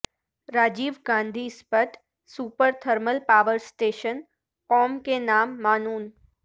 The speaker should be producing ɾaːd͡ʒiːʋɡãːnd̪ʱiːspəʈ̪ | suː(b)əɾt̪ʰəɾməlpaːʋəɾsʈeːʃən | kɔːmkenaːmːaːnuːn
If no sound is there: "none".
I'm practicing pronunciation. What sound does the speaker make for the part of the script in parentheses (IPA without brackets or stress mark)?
p